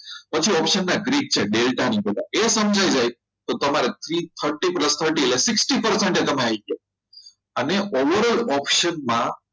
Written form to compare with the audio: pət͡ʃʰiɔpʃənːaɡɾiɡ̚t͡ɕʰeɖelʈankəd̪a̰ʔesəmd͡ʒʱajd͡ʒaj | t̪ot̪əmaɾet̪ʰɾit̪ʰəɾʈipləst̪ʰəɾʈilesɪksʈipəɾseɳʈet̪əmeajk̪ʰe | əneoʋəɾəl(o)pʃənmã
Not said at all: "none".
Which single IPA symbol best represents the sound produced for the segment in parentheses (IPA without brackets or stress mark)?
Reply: ɔ